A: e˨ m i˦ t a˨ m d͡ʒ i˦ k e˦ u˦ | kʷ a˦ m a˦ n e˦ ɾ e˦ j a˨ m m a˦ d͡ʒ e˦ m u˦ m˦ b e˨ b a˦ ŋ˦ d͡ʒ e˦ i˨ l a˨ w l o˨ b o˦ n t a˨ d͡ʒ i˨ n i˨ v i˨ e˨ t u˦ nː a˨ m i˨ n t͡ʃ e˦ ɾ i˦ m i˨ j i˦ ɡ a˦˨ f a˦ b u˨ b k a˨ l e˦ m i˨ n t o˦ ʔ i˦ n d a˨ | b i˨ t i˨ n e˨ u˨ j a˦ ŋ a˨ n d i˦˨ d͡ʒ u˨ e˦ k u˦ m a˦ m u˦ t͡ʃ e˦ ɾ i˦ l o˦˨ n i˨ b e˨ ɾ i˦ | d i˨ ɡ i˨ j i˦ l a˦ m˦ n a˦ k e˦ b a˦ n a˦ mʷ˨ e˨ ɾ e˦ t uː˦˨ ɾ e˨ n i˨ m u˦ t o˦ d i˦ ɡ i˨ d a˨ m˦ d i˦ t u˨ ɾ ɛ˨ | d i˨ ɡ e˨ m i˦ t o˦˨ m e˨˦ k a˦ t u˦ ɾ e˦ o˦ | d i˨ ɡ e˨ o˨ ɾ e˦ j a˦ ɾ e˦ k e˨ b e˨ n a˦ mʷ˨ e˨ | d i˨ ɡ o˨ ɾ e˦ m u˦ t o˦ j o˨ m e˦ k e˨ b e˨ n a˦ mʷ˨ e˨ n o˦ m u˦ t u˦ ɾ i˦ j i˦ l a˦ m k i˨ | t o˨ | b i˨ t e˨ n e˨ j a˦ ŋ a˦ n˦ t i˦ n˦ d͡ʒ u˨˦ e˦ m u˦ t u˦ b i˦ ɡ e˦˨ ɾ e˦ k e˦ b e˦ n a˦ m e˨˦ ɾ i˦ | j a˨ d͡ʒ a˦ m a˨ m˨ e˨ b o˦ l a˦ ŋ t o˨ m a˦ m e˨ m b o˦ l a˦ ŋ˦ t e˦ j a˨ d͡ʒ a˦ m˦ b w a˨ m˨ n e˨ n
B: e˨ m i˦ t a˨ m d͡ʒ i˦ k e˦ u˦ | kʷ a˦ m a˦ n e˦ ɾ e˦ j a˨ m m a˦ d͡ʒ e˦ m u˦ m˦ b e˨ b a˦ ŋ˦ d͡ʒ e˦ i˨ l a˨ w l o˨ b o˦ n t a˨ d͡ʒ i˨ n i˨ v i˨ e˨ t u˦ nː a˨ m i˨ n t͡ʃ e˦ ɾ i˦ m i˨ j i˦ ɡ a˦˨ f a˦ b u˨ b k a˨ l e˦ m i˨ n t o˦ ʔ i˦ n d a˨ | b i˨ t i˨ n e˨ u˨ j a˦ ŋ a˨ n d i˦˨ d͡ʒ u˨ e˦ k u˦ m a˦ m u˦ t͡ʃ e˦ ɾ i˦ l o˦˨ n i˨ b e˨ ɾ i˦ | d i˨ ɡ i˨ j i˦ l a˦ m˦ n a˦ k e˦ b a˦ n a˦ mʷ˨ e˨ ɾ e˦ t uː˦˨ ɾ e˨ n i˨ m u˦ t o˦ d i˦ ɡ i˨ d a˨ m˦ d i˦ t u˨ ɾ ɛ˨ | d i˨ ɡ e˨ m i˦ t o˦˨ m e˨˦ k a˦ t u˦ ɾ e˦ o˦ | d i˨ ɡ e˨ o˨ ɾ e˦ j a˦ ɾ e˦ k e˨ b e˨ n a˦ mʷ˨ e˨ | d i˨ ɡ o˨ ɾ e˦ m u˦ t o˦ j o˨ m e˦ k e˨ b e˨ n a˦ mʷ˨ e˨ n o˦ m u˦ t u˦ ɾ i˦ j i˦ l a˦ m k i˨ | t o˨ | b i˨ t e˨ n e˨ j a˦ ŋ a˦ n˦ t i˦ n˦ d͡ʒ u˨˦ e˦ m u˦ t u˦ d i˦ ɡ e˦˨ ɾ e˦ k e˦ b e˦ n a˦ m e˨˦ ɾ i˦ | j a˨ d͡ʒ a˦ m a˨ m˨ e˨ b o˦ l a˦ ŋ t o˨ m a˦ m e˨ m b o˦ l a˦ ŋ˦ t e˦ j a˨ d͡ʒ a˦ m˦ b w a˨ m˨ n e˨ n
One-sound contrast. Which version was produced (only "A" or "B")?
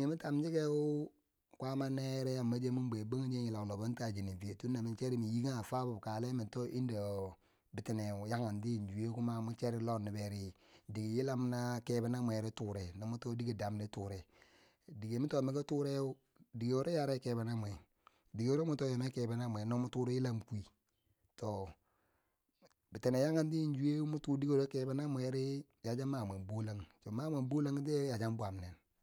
B